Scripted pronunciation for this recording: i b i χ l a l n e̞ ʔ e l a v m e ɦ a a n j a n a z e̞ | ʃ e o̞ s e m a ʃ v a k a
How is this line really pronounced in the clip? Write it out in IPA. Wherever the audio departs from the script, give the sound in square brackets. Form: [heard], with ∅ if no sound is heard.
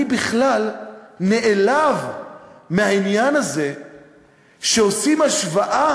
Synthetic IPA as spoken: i b i χ l a l n e̞ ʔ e l a v m e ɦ a [i] n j a n a z e̞ | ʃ e o̞ s [i] m a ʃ v a [ʔ] a